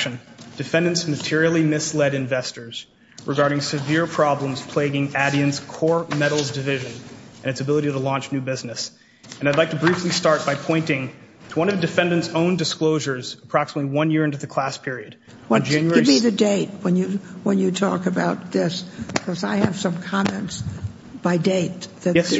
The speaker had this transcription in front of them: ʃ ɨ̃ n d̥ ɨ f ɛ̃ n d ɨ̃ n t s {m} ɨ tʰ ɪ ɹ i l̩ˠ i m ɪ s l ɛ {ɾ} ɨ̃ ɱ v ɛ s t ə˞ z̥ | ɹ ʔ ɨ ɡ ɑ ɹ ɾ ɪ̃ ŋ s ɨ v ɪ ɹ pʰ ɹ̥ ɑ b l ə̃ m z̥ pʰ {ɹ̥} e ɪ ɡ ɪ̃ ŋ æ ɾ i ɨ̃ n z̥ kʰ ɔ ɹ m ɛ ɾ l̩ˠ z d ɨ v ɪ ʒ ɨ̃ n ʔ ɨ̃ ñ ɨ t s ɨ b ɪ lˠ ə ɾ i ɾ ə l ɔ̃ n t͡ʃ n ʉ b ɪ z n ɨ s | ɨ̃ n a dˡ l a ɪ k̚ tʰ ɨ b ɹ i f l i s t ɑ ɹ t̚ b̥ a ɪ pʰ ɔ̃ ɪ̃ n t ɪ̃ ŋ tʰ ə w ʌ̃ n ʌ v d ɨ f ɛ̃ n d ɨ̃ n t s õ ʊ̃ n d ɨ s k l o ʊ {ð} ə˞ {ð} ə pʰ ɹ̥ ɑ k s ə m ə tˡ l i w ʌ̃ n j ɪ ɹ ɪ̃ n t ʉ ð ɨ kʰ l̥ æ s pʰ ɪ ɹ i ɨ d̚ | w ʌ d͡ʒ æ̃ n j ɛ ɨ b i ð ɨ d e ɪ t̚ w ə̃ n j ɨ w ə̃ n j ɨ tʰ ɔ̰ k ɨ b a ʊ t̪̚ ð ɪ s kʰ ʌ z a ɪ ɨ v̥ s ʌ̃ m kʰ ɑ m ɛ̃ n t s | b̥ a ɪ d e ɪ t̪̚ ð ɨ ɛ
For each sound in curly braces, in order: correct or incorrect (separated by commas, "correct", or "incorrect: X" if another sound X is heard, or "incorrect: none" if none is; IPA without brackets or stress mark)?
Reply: correct, correct, incorrect: l̥, incorrect: ʒ, incorrect: z